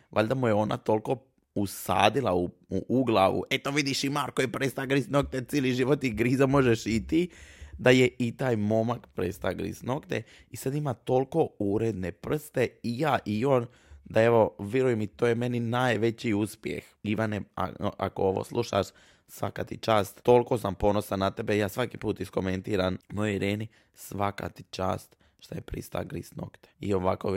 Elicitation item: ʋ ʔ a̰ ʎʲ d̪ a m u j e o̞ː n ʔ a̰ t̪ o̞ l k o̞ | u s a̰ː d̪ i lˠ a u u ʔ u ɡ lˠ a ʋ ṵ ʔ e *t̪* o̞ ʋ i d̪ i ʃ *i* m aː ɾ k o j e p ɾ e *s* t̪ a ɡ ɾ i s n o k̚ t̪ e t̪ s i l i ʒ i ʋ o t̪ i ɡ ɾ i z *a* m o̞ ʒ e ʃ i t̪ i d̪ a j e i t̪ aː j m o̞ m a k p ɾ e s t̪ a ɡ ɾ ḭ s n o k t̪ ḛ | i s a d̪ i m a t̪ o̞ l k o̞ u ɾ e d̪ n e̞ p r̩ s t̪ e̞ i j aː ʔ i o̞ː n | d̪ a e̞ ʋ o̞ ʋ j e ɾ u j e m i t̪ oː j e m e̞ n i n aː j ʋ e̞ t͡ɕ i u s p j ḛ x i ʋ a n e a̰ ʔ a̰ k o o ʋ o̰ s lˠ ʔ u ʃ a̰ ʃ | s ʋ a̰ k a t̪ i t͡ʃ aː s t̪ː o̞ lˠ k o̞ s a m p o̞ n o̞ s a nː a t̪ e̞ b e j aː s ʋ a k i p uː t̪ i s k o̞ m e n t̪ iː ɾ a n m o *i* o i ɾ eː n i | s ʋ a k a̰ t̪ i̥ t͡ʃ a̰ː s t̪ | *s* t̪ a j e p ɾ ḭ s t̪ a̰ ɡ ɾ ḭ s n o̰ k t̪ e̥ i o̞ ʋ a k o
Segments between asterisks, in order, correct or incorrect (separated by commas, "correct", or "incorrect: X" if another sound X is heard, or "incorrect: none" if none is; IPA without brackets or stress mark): correct, correct, correct, correct, incorrect: j, incorrect: ʃ